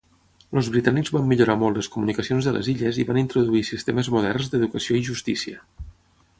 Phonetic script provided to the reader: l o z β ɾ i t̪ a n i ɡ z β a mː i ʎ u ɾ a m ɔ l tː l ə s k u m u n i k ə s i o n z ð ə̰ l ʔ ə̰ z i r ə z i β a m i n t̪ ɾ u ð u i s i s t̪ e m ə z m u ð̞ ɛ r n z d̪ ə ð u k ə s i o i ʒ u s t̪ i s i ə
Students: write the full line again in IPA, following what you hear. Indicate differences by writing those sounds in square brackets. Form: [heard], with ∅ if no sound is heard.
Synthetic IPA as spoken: l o z β ɾ i t̪ a n i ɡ z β a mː i ʎ u ɾ a m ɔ l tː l ə s k u m u n i k ə s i o n z ð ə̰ l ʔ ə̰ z i [ʎ] ə z i β a [n] i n t̪ ɾ u ð u i s i s t̪ e m ə z m u ð̞ ɛ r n z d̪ ə ð u k ə s i o i ʒ u s t̪ i s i ə

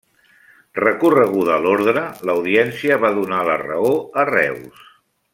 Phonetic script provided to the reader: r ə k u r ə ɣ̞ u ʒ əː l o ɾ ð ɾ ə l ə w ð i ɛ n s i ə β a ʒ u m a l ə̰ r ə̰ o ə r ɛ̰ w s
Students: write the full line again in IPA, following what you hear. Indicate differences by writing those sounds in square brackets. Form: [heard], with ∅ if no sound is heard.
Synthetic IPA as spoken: r ə k u r ə ɣ̞ u [ð] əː l o ɾ ð ɾ ə l ə w ð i ɛ n s i ə β a [ð] u [n] a l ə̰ r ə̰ o ə r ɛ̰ w s

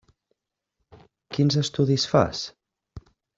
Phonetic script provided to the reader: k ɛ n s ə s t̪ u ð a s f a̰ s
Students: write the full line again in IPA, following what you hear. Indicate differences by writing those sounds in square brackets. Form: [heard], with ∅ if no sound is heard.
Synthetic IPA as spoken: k [i] n [z] ə s t̪ u ð [i] s f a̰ s

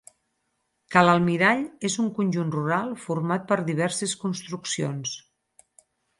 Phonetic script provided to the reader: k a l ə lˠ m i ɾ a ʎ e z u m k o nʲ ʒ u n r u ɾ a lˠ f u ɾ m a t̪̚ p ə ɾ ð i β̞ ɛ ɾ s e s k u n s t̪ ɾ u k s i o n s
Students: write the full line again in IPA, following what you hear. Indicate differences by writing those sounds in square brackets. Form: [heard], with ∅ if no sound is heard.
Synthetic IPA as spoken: k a l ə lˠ m i ɾ a ʎ e z u [ŋ] k [u] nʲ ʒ u n r u ɾ a lˠ f u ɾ m a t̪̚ p ə ɾ ð i β̞ ɛ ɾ s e s k u n s t̪ ɾ u k s i o n s

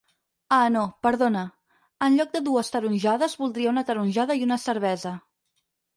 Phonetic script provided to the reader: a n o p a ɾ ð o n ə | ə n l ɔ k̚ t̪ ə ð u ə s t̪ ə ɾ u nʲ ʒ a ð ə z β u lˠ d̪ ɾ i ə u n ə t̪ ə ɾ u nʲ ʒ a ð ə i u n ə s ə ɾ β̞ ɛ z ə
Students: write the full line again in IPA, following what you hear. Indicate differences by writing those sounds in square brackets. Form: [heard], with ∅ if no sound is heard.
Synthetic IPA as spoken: a n o p [ə] ɾ ð o n ə | ə n [ʎ] ɔ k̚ [d̪] ə ð u ə s t̪ ə ɾ u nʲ ʒ a ð ə z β u lˠ d̪ ɾ i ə u n ə t̪ ə ɾ u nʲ ʒ a ð ə i u n ə s ə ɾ β̞ ɛ z ə

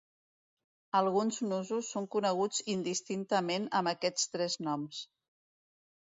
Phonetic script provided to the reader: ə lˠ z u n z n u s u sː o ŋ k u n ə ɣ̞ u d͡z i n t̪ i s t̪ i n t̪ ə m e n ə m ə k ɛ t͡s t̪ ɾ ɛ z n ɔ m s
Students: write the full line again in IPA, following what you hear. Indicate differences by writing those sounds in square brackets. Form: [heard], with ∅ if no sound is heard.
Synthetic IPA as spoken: ə lˠ [ɣ] u n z n u [z] u sː o ŋ k u n ə ɣ̞ u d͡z i n [d̪] i s t̪ i n t̪ ə m e n ə m ə k ɛ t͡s t̪ ɾ ɛ z n ɔ m s

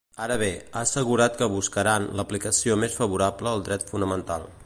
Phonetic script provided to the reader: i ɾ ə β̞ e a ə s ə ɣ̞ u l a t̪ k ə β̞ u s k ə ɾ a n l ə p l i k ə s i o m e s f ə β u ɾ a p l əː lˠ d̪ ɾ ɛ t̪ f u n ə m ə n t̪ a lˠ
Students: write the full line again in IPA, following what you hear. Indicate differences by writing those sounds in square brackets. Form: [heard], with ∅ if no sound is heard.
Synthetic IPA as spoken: [a] ɾ ə β̞ e a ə s ə ɣ̞ u [ɾ] a t̪ k ə β̞ u s k ə ɾ a n l ə p l i k ə s i o m e s f ə β u ɾ a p l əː lˠ d̪ ɾ ɛ t̪ f u n ə m ə n t̪ a lˠ

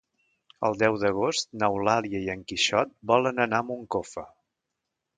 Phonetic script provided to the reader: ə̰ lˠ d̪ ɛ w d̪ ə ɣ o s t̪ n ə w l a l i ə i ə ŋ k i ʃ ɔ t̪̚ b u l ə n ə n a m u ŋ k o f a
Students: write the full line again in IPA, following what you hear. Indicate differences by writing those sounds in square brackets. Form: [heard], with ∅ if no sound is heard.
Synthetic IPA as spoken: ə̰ lˠ d̪ ɛ w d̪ ə ɣ o s t̪ n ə w l a l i ə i ə ŋ k i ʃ ɔ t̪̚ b [ɔ] l ə n ə n a m u ŋ k o f [ə]

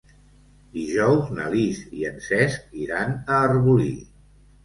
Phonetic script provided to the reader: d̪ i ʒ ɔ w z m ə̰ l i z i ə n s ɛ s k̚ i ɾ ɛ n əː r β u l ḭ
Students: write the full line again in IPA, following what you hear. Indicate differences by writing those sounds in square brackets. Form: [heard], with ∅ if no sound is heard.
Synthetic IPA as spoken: d̪ i ʒ ɔ w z [n] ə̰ l i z i ə n s ɛ s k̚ i ɾ [a] n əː r β u l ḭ

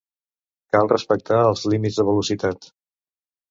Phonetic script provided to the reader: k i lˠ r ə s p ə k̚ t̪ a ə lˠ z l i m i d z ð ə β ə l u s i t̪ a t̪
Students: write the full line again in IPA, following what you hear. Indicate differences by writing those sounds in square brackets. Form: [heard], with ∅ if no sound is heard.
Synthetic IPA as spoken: k [a] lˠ r ə s p ə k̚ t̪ a ə lˠ z l i m i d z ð ə β ə l u s i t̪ a t̪

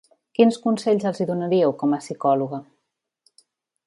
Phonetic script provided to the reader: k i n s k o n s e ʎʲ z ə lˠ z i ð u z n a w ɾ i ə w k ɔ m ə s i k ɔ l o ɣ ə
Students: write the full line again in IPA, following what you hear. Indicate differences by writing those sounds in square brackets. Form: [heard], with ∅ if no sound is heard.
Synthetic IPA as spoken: k i n s k [u] n s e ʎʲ z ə lˠ z i ð u [∅] n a [∅] ɾ i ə w k ɔ m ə s i k ɔ l [u] ɣ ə

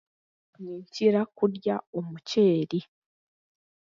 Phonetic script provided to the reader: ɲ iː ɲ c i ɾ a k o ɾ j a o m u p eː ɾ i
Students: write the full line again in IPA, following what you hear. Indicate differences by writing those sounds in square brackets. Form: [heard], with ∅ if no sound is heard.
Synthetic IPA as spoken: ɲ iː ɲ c i ɾ a k [u] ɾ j a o m u [c] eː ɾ i

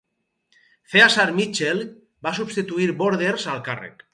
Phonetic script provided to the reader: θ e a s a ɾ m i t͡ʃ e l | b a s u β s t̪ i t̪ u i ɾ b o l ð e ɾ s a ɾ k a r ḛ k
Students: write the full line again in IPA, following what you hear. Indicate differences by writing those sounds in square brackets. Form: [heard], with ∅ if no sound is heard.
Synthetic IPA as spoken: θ e a s a ɾ m i t͡ʃ e l | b a s u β s t̪ i t̪ u i ɾ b o [ɾ] ð e ɾ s a [l] k a r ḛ k

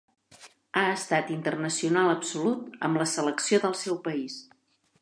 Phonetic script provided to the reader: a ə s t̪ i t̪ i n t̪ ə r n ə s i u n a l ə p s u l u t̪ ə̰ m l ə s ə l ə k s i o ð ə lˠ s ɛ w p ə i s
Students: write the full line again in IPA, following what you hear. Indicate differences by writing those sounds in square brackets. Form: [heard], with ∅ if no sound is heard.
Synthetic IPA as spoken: a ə s t̪ [a] t̪ i n t̪ ə r n ə s i u n a l ə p s u l u t̪ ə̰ m l ə s ə l ə k s i o ð ə lˠ s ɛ w p ə i s

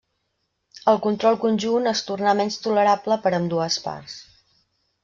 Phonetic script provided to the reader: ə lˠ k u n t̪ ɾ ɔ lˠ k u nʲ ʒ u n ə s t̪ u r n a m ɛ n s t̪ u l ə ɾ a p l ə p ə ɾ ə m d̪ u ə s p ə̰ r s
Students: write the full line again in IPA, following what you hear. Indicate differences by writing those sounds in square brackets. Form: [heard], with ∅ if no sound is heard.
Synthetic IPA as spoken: ə lˠ k u n t̪ ɾ ɔ lˠ k u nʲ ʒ u n ə s t̪ u r n a m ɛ n s t̪ u l ə ɾ a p l ə p ə ɾ ə m d̪ u ə s p [a̰] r s

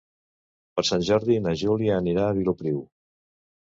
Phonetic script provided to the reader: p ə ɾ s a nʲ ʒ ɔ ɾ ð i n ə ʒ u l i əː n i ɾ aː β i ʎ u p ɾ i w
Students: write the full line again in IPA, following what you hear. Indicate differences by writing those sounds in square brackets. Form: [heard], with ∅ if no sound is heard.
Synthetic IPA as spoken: p ə ɾ s a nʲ ʒ ɔ ɾ ð i n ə ʒ u l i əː n i ɾ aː β i [l] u p ɾ i w

